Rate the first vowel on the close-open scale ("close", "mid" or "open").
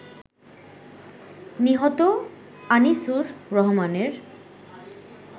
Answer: close